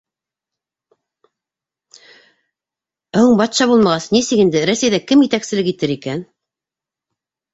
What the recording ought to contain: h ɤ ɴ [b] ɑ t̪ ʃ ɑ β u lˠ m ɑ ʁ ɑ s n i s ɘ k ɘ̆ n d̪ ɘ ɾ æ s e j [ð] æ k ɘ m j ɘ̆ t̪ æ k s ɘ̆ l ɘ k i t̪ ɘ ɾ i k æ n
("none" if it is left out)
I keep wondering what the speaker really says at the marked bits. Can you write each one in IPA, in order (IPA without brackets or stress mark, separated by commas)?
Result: b, ð